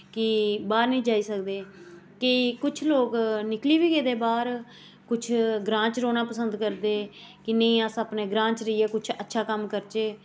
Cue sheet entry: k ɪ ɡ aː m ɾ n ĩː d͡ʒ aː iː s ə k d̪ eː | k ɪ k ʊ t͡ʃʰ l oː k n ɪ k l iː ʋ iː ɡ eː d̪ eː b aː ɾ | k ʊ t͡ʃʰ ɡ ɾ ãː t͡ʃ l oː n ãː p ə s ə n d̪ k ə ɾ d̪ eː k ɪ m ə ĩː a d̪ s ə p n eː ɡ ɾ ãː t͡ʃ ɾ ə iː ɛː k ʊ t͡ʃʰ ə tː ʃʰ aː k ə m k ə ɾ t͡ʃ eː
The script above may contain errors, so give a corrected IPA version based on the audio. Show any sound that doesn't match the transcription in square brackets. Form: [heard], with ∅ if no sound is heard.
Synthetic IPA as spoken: k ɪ [b] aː [∅] ɾ n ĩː d͡ʒ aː iː s ə k d̪ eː | k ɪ k ʊ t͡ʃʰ l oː k n ɪ k l iː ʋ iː ɡ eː d̪ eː b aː ɾ | k ʊ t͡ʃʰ ɡ ɾ ãː t͡ʃ [ɾ] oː n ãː p ə s ə n d̪ k ə ɾ d̪ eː k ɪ [n] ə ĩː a [∅] s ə p n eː ɡ ɾ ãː t͡ʃ ɾ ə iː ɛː k ʊ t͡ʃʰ ə tː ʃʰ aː k ə m k ə ɾ t͡ʃ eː